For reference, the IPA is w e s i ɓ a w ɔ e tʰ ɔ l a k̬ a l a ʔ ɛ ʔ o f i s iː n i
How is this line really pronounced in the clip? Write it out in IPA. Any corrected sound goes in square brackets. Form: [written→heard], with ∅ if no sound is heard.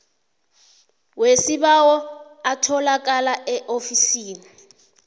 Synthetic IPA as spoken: w e s i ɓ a w ɔ [e→a] tʰ ɔ l a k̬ a l a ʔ ɛ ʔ o f i s iː n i